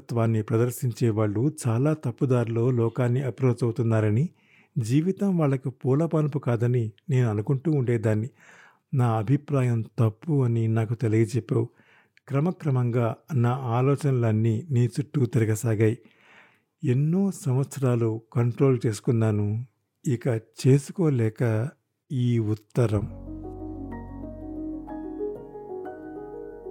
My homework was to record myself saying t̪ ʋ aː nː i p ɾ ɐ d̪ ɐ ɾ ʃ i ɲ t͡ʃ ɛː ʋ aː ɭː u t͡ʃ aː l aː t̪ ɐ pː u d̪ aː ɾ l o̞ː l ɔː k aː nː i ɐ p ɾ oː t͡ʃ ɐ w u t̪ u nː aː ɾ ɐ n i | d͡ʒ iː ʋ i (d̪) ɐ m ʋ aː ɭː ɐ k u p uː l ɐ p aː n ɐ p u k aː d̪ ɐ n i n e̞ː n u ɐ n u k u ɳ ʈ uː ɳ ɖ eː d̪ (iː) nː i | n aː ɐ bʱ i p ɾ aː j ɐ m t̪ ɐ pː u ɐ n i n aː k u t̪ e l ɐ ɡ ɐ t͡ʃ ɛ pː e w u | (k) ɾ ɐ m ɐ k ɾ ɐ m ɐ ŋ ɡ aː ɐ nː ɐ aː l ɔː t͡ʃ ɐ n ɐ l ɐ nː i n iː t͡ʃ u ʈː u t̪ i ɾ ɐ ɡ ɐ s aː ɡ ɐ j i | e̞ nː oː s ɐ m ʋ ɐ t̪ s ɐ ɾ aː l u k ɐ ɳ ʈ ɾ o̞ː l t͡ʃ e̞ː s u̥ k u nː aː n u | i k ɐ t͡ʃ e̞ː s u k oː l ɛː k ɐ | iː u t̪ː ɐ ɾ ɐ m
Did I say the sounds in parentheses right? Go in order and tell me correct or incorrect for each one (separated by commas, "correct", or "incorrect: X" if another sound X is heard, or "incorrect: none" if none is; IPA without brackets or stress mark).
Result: incorrect: t̪, incorrect: aː, correct